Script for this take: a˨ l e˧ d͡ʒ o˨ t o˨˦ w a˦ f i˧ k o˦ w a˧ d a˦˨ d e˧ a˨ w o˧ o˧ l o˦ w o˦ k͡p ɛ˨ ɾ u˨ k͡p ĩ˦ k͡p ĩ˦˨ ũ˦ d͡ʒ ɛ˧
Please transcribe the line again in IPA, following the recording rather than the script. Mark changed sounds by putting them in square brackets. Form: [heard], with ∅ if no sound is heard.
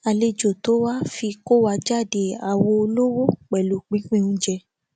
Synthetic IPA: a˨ l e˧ d͡ʒ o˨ t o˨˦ w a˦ f i˧ k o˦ w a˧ [d͡ʒ] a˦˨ d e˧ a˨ w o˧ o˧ l o˦ w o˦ k͡p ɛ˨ [l] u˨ k͡p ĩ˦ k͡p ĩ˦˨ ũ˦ d͡ʒ ɛ˧